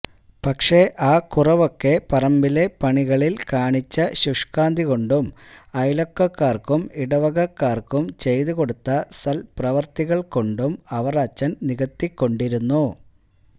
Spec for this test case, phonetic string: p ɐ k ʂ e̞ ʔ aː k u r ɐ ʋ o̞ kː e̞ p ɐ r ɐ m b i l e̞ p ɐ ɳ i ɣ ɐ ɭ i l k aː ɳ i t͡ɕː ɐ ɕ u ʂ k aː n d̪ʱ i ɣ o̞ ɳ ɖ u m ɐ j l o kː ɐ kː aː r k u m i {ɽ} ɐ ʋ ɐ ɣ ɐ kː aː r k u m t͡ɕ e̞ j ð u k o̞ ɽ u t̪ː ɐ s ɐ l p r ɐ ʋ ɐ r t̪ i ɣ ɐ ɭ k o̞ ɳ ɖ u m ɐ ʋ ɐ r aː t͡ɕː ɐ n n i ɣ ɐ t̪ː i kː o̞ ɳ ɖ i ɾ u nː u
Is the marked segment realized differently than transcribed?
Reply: no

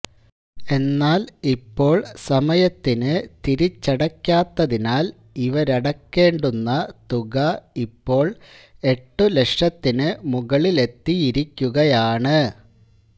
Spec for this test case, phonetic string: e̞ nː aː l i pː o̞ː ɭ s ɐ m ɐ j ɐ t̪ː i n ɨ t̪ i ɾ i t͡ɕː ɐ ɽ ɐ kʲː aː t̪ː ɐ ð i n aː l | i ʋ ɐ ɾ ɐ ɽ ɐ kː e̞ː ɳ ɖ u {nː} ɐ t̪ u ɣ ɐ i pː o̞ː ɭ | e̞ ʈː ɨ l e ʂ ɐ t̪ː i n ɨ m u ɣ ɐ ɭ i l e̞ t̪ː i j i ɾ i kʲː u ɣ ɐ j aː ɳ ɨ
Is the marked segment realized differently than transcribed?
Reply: no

